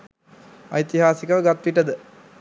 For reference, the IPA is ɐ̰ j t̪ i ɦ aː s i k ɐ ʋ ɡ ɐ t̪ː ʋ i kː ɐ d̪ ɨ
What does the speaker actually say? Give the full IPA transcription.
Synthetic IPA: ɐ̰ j t̪ i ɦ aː s i k ɐ ʋ ɡ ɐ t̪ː ʋ i ʈː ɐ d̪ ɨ